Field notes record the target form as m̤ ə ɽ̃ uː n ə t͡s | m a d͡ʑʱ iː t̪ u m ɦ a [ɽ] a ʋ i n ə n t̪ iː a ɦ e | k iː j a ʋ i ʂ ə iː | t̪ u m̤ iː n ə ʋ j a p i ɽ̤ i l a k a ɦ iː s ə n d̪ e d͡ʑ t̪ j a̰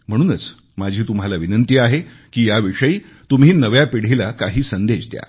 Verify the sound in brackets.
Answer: incorrect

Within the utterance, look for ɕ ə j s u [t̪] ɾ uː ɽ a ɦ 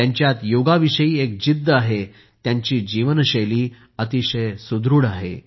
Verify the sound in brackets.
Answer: incorrect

